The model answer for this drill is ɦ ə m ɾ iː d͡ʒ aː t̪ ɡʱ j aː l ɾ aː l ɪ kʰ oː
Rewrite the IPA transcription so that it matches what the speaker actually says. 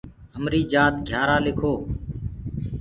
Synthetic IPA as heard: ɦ ə m ɾ iː d͡ʒ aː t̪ ɡʱ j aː ɾ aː l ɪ kʰ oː